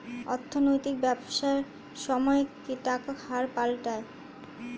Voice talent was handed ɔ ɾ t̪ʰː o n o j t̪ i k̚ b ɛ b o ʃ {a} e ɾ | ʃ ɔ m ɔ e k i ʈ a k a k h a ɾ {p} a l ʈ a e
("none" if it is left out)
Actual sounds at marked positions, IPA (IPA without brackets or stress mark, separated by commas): a, p